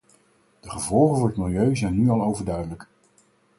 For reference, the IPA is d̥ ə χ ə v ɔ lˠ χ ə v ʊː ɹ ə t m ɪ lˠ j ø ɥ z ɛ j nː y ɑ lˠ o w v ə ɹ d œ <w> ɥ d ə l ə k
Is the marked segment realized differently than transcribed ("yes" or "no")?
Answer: yes